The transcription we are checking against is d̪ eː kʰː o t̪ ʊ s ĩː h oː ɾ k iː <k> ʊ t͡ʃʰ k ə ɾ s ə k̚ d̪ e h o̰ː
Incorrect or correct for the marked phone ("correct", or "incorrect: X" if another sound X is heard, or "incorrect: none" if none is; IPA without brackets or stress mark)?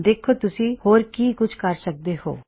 correct